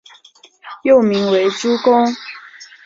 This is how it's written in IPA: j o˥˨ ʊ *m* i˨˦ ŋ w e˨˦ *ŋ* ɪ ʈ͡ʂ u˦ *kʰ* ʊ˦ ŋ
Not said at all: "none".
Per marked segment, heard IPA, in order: m, none, k

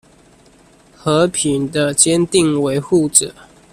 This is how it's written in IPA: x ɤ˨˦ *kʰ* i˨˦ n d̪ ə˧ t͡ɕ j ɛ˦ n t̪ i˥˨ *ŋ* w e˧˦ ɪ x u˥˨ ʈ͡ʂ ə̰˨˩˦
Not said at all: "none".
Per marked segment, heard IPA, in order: pʰ, ŋ

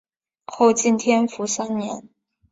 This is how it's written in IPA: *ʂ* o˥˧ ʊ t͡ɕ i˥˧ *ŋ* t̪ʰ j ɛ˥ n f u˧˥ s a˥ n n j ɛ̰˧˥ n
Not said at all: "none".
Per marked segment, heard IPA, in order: x, n

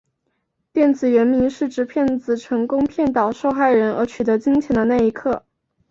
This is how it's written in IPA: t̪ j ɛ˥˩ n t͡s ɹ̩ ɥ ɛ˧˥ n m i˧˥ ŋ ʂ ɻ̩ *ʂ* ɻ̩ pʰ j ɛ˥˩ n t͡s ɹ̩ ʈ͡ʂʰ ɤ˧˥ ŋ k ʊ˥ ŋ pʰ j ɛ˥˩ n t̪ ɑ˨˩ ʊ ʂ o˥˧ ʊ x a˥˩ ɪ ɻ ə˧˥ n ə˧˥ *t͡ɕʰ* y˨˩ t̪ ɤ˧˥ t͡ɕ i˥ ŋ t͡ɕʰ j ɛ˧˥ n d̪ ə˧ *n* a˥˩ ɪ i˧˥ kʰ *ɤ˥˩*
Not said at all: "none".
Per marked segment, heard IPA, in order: ʈ͡ʂ, t͡ɕʰ, n, ɤ˥˩

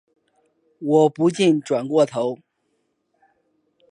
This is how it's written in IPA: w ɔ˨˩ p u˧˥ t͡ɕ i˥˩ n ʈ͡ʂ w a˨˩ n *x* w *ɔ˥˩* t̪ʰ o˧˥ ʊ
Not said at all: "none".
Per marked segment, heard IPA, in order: k, ɔ˥˩

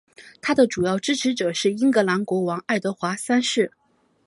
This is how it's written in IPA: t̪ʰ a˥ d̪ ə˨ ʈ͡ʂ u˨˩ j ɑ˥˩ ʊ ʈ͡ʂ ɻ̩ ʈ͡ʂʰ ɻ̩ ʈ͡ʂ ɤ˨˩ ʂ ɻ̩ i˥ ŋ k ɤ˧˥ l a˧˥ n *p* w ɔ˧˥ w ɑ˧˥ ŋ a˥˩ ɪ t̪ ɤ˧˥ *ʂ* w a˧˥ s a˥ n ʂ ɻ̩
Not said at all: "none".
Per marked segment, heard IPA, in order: k, x

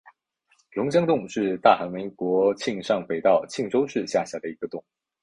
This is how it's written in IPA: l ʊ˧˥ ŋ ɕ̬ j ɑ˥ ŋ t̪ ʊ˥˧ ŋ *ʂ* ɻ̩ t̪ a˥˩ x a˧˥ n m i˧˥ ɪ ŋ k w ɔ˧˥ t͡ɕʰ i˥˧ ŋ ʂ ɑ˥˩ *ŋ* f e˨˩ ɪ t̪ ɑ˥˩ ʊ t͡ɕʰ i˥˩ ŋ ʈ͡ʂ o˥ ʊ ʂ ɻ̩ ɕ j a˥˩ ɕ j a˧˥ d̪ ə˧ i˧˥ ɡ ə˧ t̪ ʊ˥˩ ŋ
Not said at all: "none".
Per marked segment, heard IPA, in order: ʂ, ŋ

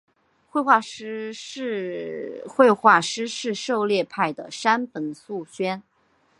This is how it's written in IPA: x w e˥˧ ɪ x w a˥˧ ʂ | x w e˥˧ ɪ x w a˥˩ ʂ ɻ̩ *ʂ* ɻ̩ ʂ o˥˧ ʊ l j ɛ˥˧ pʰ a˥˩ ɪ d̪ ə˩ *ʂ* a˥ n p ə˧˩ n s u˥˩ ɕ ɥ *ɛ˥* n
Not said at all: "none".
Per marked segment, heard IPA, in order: ʂ, ʂ, ɛ˥

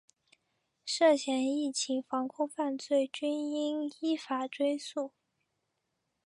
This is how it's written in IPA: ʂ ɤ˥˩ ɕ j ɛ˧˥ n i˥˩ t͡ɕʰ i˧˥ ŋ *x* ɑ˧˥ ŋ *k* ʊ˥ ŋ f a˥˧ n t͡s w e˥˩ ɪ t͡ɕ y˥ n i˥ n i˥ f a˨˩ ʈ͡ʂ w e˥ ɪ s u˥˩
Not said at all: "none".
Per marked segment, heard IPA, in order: f, kʰ

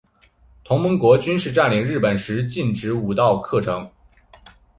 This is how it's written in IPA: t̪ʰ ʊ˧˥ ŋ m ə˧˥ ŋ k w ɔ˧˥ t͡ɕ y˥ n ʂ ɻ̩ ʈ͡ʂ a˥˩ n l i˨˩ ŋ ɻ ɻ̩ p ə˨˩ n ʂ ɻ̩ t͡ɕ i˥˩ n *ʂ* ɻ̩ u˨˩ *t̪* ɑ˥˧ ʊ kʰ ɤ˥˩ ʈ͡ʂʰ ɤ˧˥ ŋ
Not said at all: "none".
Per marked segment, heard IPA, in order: ʈ͡ʂ, t̪

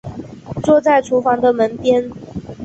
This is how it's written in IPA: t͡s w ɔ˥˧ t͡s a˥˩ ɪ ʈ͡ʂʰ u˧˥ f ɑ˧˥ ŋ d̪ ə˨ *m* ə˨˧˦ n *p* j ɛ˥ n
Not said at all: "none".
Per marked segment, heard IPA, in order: m, p

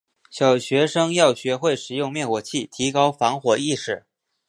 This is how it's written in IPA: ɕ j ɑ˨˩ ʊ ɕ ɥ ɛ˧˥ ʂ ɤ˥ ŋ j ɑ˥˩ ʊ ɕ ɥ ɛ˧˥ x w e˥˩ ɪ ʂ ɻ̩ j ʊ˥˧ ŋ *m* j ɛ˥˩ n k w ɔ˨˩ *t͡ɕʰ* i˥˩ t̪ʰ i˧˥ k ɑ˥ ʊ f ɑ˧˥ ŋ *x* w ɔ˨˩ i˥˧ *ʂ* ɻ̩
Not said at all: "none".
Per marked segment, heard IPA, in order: m, t͡ɕʰ, x, ʂ

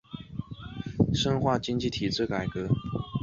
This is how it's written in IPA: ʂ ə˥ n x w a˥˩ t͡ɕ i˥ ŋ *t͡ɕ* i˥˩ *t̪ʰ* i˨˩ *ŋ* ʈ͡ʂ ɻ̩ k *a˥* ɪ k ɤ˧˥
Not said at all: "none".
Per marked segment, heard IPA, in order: t͡ɕ, t̪ʰ, none, a˨˩

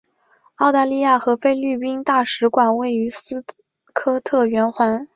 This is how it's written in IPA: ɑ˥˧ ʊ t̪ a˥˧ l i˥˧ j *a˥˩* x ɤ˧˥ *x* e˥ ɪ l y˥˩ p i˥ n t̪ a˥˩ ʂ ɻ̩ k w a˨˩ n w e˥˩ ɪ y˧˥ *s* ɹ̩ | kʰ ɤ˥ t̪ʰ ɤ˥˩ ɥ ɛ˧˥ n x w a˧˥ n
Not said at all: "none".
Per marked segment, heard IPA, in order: a˥˩, f, s

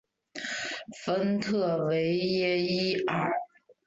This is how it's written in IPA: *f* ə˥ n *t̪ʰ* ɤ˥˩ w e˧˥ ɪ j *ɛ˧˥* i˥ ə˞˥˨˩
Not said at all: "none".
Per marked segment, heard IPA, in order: f, t̪ʰ, ɛ˥

